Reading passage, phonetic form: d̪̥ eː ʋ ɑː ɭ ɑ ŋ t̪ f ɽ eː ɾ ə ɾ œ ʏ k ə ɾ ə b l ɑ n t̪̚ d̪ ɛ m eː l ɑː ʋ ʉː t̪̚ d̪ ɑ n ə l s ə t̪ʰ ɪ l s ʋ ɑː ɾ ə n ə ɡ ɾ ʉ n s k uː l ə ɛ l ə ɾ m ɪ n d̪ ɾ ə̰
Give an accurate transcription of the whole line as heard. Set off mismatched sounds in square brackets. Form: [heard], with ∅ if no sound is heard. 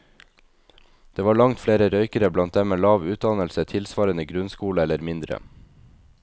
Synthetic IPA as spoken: d̪̥ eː ʋ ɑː ɭ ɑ ŋ t̪ f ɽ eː ɾ ə ɾ œ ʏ k ə ɾ ə b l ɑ n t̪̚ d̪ ɛ m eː l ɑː ʋ ʉː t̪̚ d̪ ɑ n ə l s ə t̪ʰ ɪ l s ʋ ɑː ɾ ə n ə ɡ ɾ ʉ n s k uː l ə ɛ l ə ɾ m ɪ n d̪ ɾ ə̰